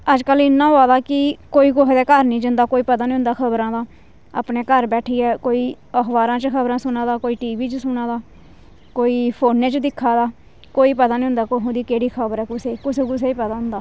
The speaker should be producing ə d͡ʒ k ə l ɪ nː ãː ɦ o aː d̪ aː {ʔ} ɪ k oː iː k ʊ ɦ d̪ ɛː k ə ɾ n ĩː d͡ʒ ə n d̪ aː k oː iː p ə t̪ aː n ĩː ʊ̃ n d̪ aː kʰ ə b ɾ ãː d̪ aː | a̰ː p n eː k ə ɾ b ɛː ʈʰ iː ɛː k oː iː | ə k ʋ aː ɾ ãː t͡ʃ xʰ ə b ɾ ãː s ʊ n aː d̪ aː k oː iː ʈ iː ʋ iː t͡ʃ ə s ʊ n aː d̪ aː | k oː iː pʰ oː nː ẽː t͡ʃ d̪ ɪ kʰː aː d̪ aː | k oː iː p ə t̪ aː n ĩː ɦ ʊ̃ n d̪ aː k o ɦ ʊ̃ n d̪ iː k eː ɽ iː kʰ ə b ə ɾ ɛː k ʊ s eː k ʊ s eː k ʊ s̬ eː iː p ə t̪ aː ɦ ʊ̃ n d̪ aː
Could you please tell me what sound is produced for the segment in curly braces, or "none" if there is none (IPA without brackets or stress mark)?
k